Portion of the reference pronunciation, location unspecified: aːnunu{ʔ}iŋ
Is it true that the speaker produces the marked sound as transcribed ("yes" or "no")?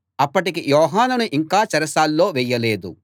yes